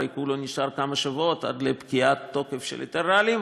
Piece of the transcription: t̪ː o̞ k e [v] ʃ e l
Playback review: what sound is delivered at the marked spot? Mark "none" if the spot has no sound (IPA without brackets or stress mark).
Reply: f